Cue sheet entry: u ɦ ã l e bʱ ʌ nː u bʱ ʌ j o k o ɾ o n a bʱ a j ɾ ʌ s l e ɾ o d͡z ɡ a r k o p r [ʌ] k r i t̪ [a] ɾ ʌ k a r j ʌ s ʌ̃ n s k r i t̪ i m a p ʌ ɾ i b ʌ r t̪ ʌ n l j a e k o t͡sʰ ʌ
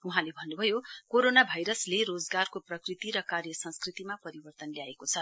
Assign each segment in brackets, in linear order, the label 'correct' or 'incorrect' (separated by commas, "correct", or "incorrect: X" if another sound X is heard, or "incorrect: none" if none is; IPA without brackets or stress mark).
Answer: correct, incorrect: i